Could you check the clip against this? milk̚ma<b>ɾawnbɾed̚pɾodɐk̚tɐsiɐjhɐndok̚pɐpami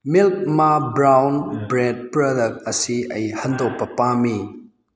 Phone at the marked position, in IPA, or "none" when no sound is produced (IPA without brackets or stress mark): b